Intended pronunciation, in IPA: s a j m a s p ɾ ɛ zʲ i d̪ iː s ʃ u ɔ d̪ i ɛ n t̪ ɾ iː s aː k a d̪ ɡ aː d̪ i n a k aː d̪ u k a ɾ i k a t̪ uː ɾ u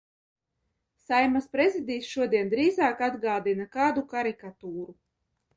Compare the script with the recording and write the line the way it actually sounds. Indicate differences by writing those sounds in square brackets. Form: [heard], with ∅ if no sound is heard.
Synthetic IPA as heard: s a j m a s p ɾ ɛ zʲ i d̪ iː s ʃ u ɔ d̪ i ɛ n [d̪] ɾ iː [z] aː k a d̪ ɡ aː d̪ i n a k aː d̪ u k a ɾ i k a t̪ uː ɾ u